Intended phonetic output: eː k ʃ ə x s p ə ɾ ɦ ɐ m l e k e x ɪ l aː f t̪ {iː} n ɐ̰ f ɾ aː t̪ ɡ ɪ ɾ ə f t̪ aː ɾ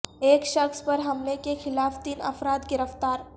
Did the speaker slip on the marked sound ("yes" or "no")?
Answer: no